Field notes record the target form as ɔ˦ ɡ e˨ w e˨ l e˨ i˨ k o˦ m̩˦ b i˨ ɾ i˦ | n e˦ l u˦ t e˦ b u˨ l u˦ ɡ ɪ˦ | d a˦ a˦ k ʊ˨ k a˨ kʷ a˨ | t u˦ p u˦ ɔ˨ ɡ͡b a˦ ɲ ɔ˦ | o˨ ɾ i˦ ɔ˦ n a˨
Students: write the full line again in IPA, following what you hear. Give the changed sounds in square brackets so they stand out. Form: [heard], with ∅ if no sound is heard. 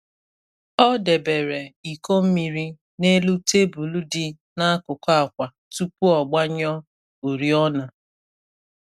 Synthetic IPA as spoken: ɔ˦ [d] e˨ [b] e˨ [ɾ] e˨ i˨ k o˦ m̩˦ [m] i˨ ɾ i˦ | n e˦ l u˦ t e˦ b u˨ l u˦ [d] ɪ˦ | [n] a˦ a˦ k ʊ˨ k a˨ kʷ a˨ | t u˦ p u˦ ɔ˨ ɡ͡b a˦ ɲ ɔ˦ | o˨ ɾ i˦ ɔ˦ n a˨